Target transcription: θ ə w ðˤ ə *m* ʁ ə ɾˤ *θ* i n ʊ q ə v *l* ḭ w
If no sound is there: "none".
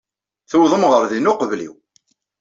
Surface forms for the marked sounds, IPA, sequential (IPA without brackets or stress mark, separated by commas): m, ð, l